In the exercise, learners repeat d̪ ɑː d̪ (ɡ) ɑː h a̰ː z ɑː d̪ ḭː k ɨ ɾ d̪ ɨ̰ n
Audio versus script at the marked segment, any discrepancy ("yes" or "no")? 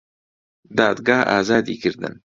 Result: no